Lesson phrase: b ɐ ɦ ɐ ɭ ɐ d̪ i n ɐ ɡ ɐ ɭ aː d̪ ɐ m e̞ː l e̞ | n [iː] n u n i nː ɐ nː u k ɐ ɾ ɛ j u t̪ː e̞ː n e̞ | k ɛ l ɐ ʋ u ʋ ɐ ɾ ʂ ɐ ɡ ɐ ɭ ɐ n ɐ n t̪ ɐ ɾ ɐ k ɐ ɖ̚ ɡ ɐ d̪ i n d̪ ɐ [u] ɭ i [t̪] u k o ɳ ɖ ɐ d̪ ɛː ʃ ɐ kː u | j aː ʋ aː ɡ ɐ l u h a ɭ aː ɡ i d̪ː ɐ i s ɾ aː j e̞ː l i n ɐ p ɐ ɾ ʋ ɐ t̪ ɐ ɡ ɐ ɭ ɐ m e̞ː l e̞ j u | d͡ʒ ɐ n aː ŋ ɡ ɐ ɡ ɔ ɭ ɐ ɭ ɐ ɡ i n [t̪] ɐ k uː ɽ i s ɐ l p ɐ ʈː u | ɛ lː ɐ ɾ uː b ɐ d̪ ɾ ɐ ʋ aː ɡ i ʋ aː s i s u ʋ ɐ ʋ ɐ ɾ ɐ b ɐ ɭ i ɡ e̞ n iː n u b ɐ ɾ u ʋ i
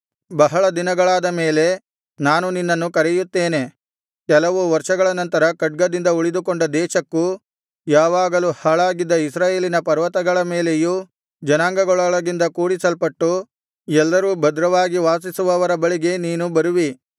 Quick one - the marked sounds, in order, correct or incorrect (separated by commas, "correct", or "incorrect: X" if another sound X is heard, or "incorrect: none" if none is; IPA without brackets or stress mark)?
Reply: incorrect: aː, correct, incorrect: d̪, incorrect: d̪